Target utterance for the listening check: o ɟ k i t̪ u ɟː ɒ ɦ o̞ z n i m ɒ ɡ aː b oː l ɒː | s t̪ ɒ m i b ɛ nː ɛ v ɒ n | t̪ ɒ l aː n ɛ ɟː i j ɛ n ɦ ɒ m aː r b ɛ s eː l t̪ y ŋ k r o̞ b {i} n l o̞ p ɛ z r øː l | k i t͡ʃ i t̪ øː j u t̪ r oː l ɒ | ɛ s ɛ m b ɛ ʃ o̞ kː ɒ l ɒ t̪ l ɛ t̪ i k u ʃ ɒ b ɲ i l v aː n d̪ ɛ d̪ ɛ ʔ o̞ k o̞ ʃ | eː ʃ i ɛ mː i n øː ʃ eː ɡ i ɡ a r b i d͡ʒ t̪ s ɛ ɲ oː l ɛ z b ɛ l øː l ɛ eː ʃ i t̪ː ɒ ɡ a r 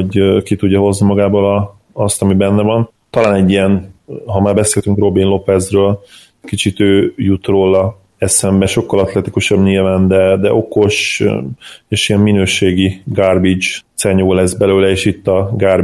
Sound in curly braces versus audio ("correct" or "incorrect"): correct